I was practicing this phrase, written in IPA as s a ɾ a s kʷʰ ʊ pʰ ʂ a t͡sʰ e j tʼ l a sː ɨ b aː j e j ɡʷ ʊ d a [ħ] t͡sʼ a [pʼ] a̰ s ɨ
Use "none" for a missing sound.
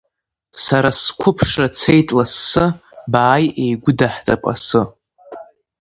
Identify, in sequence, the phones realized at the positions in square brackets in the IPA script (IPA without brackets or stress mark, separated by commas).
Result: ħ, pʼ